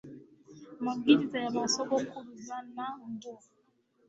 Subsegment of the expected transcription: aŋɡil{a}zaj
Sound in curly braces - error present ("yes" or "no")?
yes